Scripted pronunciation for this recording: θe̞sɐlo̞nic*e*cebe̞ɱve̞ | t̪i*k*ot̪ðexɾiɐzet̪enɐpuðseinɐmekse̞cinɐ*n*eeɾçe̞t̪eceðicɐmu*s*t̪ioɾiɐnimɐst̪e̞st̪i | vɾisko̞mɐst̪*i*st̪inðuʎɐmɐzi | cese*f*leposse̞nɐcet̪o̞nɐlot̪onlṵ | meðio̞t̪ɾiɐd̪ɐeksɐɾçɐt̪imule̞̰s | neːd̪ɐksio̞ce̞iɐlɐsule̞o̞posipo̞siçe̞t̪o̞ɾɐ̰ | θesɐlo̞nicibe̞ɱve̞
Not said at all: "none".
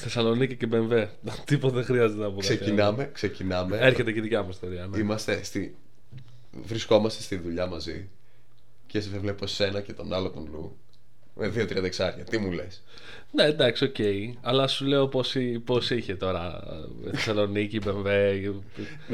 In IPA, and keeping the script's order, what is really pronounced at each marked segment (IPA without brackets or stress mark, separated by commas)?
i, p, m, s, e, v